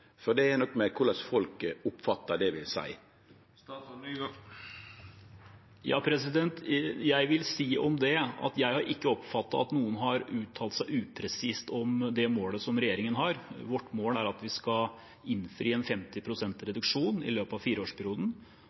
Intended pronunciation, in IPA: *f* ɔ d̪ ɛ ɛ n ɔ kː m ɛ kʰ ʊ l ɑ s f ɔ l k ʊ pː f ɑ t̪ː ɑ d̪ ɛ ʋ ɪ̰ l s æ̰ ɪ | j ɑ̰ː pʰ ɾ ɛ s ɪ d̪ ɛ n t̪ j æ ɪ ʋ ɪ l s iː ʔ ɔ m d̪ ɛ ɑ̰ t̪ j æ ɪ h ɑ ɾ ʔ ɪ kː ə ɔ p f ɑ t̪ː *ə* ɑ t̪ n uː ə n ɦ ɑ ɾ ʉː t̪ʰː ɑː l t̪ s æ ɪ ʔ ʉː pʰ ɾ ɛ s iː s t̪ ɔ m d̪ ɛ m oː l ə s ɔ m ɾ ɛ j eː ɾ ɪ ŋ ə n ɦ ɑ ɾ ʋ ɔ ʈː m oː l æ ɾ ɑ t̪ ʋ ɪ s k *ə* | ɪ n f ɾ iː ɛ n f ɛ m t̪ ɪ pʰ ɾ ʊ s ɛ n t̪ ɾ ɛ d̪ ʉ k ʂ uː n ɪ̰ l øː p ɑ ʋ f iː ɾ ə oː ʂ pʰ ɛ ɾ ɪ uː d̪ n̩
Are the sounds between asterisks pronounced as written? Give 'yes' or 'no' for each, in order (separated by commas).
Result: yes, no, no